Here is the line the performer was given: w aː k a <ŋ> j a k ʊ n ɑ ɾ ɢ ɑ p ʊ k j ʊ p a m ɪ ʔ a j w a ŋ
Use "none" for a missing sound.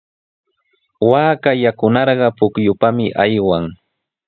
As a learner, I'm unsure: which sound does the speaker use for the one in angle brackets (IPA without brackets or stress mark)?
none